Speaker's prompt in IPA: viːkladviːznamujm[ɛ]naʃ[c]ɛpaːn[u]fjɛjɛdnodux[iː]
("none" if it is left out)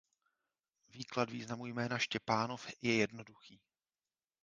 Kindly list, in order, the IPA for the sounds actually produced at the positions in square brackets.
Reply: ɛː, c, o, iː

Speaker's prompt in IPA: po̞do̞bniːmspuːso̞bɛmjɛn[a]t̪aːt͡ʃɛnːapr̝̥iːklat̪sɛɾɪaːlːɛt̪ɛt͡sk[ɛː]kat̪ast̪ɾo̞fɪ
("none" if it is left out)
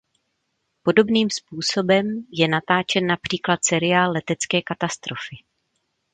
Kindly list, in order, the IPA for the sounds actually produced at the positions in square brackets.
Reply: a, ɛː

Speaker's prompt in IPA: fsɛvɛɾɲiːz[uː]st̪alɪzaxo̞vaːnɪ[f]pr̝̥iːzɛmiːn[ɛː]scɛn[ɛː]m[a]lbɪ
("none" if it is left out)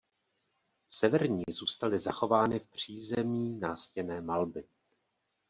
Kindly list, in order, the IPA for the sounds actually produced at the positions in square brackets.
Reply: uː, f, aː, ɛː, a

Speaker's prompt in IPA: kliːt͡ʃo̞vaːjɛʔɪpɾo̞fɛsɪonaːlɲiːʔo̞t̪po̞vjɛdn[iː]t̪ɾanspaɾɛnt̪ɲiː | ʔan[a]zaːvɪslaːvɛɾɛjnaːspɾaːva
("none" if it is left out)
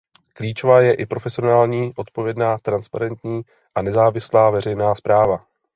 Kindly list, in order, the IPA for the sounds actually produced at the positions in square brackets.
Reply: aː, ɛ

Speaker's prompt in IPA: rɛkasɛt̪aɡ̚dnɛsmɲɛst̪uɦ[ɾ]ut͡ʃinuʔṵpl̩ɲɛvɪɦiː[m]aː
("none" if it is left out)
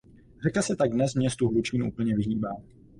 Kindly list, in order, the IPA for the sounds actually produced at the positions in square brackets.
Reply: l, b

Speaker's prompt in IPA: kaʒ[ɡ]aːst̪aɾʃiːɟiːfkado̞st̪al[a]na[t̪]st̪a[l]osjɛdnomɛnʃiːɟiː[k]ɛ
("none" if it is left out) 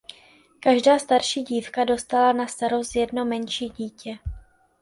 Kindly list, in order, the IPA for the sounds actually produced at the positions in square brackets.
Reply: d, a, none, ɾ, c

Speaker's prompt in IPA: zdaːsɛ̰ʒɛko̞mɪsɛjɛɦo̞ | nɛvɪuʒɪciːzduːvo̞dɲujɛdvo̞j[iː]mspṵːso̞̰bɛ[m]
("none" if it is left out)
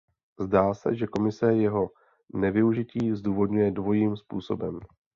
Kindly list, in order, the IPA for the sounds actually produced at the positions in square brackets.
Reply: iː, m

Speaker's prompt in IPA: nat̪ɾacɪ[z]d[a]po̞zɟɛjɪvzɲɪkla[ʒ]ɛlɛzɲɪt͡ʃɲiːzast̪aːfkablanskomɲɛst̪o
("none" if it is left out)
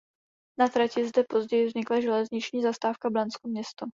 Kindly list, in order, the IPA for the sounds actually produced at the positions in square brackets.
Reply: z, ɛ, ʒ

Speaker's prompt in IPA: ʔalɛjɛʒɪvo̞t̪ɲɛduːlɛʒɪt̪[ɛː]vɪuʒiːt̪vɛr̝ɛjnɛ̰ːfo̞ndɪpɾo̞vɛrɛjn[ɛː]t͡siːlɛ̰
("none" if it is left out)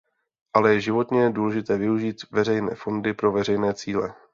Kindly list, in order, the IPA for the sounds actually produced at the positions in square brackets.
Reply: ɛː, ɛː

